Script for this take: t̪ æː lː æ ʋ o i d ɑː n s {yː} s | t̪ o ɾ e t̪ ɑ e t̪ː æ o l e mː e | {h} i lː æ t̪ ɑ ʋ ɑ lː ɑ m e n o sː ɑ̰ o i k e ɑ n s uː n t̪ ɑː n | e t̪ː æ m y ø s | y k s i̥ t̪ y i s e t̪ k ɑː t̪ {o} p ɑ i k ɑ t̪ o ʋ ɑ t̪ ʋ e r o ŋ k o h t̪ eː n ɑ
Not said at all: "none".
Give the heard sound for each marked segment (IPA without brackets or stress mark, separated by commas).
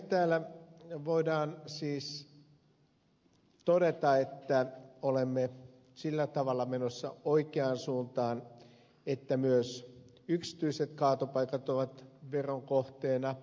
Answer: iː, s, o